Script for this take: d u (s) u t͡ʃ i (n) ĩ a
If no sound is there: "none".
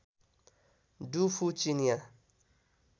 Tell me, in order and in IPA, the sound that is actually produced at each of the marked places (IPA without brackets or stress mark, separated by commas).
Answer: f, n